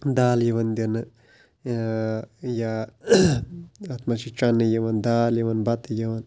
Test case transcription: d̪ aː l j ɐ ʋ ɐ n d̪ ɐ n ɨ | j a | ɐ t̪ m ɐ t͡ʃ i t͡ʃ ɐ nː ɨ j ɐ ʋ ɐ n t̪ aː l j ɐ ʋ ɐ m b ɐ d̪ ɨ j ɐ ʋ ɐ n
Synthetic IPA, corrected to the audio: d̪ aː l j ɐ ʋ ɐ n d̪ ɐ n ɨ | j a | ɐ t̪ m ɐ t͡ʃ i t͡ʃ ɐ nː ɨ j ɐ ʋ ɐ n d̪ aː l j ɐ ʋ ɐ n b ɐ t̪ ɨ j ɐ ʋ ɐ n